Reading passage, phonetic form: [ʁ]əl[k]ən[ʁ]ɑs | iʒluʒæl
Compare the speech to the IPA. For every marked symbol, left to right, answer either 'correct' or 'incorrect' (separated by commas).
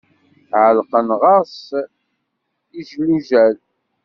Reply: incorrect, incorrect, correct